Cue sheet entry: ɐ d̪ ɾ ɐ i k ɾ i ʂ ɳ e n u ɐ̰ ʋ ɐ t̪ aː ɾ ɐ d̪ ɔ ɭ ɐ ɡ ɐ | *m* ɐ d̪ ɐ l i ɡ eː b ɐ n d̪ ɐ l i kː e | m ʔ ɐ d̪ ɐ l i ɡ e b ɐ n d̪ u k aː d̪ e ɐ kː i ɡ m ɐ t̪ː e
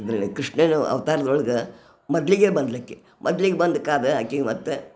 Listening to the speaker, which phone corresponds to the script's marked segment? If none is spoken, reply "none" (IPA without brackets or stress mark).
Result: m